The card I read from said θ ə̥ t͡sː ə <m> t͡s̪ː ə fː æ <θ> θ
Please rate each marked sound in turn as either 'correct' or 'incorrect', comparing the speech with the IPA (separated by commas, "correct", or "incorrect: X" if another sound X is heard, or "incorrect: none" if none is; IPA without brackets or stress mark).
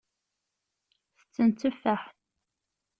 incorrect: n, incorrect: ħ